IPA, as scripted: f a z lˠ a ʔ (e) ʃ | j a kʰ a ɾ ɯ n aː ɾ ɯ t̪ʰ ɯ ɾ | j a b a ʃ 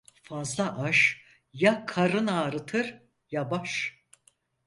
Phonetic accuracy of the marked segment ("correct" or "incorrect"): incorrect